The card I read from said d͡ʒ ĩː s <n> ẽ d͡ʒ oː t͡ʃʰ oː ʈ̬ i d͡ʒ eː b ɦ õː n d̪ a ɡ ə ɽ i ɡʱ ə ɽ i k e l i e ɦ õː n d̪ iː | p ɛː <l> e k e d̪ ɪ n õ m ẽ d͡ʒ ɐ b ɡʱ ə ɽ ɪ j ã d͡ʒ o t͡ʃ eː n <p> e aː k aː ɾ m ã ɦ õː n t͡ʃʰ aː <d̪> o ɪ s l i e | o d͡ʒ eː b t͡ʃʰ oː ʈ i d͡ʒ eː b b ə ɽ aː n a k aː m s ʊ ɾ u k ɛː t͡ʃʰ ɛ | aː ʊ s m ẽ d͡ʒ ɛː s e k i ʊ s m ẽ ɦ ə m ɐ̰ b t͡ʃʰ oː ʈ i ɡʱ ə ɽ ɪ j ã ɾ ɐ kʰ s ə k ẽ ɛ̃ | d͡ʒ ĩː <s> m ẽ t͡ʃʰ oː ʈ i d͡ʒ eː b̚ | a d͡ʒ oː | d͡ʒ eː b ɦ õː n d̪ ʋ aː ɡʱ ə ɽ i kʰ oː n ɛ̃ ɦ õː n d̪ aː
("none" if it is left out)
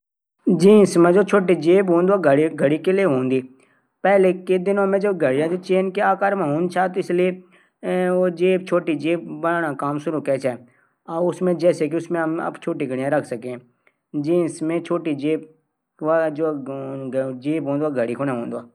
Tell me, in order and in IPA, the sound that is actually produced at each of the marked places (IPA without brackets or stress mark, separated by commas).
m, l, k, t̪, s